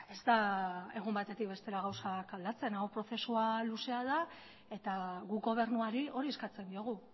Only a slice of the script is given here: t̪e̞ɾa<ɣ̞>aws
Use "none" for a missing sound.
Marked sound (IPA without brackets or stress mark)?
ɣ̞